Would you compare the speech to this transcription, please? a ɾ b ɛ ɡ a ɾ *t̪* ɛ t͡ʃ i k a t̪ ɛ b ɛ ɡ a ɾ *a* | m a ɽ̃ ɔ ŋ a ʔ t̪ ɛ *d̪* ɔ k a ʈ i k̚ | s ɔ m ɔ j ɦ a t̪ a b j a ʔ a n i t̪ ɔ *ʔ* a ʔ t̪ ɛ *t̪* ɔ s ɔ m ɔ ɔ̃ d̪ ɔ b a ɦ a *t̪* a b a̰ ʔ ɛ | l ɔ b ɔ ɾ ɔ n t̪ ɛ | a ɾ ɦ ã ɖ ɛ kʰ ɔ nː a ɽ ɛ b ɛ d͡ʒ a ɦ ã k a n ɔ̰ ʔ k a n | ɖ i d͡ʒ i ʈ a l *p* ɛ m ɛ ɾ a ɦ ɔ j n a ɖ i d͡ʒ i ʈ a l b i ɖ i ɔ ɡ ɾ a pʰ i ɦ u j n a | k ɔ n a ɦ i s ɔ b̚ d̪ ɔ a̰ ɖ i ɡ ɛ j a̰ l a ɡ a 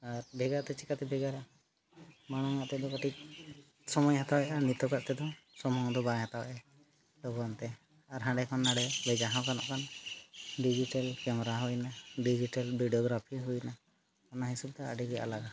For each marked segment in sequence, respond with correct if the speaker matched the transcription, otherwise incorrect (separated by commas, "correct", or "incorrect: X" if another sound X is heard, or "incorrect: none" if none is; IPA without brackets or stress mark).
correct, correct, correct, incorrect: k, incorrect: d̪, correct, incorrect: k